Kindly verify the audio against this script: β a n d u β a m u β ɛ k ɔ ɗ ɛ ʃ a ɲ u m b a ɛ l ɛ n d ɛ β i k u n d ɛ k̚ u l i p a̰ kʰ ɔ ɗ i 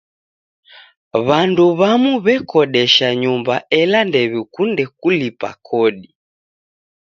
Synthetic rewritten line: β a n d u β a m u β ɛ k ɔ ɗ ɛ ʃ a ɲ u m b a ɛ l a n d ɛ β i k u n d ɛ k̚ u l i p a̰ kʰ ɔ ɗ i